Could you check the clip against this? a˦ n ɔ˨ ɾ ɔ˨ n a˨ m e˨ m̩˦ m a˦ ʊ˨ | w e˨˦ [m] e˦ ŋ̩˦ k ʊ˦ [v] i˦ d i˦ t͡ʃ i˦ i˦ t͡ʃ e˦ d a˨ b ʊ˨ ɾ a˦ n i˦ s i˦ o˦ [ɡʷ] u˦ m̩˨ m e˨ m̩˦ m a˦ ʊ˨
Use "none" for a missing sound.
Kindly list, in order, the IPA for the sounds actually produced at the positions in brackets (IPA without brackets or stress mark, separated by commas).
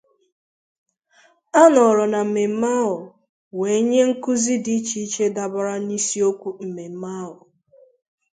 ɲ, z, kʷ